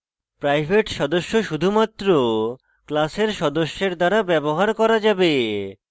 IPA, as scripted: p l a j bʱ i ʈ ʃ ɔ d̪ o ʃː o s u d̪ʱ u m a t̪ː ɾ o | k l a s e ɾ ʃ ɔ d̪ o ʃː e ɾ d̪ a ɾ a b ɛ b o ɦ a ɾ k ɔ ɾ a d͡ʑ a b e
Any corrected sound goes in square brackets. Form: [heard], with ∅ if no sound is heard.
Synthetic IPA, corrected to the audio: p [ɾ] a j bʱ [e] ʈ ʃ ɔ d̪ o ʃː o [ʃ] u d̪ʱ u m a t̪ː ɾ o | k l a s e ɾ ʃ ɔ d̪ o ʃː e ɾ d̪ a ɾ a b ɛ b o ɦ a ɾ k ɔ ɾ a d͡ʑ a b e

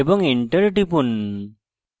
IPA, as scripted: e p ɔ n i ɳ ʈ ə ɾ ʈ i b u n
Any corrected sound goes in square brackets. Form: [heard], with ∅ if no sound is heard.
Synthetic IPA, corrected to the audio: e [b] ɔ [ŋ] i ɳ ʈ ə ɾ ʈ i [p] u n

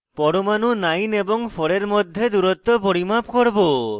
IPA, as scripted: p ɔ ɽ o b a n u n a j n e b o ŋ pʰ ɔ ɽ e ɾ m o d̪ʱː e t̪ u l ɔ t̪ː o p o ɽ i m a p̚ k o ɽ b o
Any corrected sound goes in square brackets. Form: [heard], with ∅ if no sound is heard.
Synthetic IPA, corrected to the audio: p ɔ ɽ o [m] a n u n a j n e b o ŋ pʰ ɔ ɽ e ɾ m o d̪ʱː e [d̪] u [ɾ] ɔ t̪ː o p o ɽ i m a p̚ k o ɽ b o

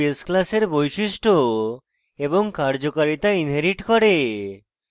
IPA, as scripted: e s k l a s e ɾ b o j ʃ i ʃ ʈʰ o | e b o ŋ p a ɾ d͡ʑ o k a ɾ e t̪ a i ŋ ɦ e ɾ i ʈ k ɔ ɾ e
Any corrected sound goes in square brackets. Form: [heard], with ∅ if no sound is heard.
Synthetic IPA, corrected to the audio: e s k l a s e ɾ b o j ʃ i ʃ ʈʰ o | e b o ŋ [k] a ɾ d͡ʑ o k a ɾ [i] t̪ a i [n] ɦ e ɾ i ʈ k ɔ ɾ e

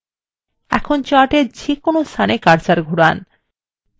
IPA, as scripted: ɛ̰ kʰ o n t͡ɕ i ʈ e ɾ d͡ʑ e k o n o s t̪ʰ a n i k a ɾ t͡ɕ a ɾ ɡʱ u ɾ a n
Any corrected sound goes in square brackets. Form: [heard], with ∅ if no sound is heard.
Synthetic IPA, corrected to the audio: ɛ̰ kʰ o n t͡ɕ [a] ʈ e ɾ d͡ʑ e k o n o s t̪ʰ a n [e] k a ɾ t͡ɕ a ɾ ɡʱ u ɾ a n

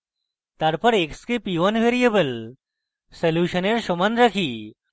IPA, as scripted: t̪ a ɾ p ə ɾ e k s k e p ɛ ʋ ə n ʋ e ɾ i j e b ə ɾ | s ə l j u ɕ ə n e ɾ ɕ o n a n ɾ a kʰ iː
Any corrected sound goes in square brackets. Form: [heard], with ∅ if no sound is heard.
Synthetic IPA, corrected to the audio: t̪ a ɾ p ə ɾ e k s k e p [i] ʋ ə n ʋ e ɾ i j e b ə [l] | s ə l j u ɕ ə n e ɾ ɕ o [m] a n ɾ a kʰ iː

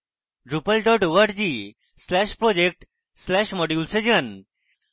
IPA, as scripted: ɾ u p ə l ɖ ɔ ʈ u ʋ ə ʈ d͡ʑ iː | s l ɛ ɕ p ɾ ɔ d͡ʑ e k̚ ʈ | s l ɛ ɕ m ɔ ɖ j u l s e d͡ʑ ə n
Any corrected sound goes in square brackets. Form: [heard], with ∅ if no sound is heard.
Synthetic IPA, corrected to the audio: ɾ u p ə l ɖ ɔ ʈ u ʋ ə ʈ d͡ʑ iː | s l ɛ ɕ p ɾ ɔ d͡ʑ e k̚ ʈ | s l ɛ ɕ m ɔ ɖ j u l s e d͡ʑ ə n

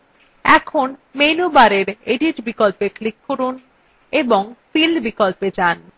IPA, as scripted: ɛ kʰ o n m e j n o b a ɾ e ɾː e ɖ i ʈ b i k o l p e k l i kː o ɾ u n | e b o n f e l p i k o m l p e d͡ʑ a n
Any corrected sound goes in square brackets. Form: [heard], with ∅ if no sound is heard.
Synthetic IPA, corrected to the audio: ɛ kʰ o n m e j n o b a ɾ e [ɾ] e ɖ i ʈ b i k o l p e k l i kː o ɾ u n | e b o [ŋ] f [i] l [b] i k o [∅] l p e d͡ʑ a n

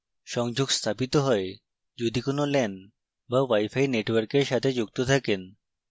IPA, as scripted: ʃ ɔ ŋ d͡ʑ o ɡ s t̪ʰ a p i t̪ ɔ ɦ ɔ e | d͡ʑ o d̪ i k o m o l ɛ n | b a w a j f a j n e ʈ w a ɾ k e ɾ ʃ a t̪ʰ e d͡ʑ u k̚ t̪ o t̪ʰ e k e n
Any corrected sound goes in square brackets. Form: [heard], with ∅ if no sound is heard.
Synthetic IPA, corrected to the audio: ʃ ɔ ŋ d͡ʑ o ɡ s t̪ʰ a p i t̪ [o] ɦ ɔ e | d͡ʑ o d̪ i k o [n] o l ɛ n | b a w a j f a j n e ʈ w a ɾ k e ɾ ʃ a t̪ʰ e d͡ʑ u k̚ t̪ o t̪ʰ [a] k e n

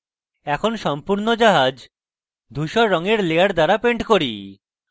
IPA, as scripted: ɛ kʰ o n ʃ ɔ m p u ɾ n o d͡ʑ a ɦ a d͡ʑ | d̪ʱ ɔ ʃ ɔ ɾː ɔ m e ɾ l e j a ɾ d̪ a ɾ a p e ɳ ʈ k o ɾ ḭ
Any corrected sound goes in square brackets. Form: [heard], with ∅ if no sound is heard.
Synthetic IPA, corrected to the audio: ɛ kʰ o n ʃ ɔ m p u ɾ n o d͡ʑ a ɦ a d͡ʑ | d̪ʱ [u] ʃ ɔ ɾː ɔ [ŋ] e ɾ l e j a ɾ d̪ a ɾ a p e ɳ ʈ k o ɾ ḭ

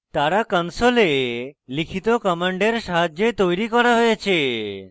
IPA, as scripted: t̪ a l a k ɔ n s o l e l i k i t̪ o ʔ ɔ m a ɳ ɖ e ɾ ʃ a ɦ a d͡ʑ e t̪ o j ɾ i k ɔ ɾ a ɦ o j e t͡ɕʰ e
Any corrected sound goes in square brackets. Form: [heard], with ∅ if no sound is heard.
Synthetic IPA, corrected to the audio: t̪ a [ɾ] a k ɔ n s o l e l i [kʰ] i t̪ o [k] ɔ m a ɳ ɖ e ɾ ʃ a ɦ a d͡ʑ e t̪ o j ɾ i k ɔ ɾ a ɦ o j e t͡ɕʰ e

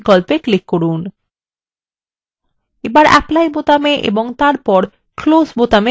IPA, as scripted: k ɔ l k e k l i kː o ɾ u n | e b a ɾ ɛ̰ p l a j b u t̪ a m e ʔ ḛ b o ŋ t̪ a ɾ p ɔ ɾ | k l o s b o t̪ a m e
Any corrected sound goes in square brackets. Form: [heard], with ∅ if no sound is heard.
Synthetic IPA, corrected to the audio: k ɔ l [p] e k l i kː o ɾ u n | e b a ɾ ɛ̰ p l a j b [o] t̪ a m e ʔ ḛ b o ŋ t̪ a ɾ p ɔ ɾ | k l o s b o t̪ a m e

